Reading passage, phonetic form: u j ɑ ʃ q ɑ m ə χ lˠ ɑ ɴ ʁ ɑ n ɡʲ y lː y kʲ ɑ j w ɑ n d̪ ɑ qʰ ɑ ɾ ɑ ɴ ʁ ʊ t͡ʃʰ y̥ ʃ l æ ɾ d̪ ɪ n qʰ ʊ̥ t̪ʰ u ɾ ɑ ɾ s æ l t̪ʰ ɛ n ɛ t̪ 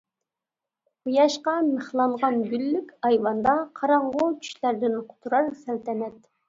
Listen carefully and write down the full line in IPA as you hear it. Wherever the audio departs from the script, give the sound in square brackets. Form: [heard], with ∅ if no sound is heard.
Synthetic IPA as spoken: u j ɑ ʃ q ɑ m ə χ lˠ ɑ ɴ ʁ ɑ n ɡʲ y lː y kʲ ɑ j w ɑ n d̪ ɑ qʰ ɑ ɾ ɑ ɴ ʁ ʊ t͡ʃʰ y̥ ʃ l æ ɾ d̪ ɪ n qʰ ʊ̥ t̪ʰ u ɾ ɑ ɾ s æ l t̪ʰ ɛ n ɛ t̪